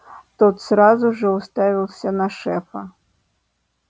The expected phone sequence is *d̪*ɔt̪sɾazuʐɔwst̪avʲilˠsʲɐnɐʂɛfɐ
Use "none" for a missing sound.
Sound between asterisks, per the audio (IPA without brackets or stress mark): t̪